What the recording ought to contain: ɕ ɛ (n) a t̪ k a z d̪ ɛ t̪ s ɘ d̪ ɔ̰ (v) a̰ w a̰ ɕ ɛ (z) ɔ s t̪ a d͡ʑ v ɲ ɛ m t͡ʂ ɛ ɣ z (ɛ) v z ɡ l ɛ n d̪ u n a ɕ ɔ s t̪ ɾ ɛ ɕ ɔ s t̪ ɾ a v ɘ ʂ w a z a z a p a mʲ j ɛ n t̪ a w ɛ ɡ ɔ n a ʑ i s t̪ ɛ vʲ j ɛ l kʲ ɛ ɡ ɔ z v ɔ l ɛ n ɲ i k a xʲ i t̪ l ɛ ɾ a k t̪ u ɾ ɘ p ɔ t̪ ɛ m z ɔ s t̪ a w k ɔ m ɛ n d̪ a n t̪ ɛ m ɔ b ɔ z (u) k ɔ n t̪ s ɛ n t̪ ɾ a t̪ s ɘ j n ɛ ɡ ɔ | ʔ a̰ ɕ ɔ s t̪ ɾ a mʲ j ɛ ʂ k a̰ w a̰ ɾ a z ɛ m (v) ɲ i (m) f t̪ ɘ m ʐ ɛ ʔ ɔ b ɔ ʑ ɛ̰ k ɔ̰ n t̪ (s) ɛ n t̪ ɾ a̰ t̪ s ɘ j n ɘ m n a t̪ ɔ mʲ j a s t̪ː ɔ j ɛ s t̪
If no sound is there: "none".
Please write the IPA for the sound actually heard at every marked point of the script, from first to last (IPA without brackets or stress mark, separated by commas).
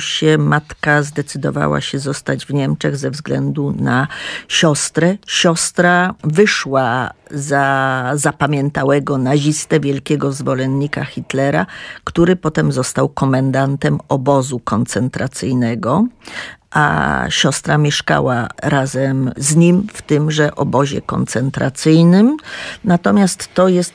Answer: m, v, z, ɛ, u, z, m, s